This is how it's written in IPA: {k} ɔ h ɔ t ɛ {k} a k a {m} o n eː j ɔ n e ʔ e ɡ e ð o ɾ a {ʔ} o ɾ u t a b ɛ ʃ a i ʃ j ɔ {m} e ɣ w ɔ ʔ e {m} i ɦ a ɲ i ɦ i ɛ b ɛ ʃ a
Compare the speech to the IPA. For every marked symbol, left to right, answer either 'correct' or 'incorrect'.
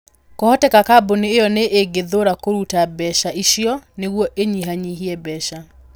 correct, correct, incorrect, incorrect, incorrect, incorrect

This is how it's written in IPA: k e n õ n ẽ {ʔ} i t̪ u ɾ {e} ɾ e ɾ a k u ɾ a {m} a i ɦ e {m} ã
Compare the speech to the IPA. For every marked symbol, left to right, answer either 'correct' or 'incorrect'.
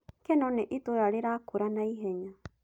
correct, incorrect, incorrect, incorrect

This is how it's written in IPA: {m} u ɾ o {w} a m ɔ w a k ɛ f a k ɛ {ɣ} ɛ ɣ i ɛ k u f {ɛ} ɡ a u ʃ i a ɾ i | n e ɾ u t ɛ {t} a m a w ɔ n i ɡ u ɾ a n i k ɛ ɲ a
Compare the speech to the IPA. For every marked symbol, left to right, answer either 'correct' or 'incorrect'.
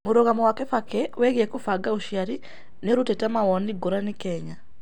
correct, incorrect, incorrect, incorrect, correct

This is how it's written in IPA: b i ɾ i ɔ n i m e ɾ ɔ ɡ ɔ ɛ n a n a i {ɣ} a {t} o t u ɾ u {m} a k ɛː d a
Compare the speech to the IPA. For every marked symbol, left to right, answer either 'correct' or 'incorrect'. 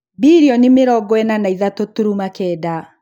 incorrect, correct, correct

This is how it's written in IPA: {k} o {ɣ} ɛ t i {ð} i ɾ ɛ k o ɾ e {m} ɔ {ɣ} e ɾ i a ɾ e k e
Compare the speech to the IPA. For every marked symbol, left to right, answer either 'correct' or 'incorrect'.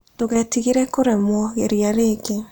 incorrect, correct, incorrect, correct, correct

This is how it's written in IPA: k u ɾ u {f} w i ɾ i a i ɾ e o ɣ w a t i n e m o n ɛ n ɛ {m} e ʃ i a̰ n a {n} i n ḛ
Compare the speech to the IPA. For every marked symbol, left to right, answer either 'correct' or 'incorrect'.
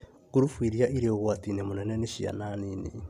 correct, incorrect, correct

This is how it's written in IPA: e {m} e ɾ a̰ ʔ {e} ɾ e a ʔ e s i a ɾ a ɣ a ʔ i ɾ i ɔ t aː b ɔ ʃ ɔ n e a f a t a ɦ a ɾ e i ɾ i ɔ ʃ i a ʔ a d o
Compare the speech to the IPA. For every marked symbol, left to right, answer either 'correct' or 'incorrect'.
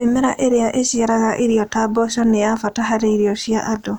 correct, correct

